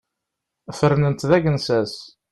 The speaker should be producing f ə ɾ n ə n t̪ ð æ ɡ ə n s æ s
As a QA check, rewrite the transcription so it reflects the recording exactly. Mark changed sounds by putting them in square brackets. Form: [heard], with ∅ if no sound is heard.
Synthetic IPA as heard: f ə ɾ n ə n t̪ ð æ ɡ ə n s æ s